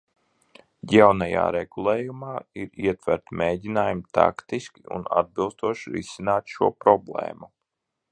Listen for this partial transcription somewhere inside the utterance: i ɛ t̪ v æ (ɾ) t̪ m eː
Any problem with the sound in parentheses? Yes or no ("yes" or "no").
no